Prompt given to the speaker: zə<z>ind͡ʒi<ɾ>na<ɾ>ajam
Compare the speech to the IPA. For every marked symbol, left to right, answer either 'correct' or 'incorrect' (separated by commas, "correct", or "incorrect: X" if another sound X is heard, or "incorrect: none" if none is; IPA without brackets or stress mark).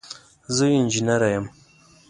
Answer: incorrect: none, incorrect: none, correct